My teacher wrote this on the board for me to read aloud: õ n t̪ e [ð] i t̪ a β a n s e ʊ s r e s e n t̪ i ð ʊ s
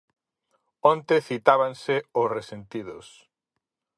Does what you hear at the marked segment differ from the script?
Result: yes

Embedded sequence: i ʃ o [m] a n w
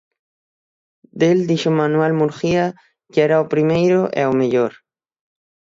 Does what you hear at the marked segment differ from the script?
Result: no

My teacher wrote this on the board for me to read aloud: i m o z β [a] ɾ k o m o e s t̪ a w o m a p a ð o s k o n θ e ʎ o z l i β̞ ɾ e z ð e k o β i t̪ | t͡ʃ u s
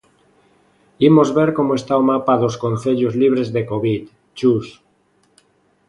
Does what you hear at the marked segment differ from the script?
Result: yes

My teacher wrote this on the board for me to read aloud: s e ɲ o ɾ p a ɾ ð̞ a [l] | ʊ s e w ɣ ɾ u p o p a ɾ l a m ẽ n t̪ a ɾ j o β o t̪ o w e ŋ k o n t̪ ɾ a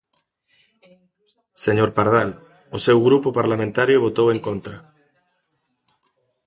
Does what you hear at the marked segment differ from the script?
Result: no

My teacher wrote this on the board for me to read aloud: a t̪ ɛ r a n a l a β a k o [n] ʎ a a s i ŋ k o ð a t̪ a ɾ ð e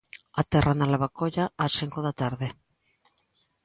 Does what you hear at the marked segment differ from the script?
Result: yes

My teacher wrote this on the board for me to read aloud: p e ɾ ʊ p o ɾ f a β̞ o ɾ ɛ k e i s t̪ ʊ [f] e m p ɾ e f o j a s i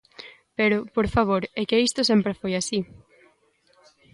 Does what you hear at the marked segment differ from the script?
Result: yes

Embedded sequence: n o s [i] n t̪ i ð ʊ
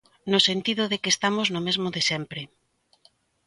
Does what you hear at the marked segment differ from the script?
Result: yes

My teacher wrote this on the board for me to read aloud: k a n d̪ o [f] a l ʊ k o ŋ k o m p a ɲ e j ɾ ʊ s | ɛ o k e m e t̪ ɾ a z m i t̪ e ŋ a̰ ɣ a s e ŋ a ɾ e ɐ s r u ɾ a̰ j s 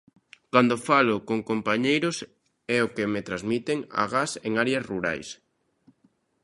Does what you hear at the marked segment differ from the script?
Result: no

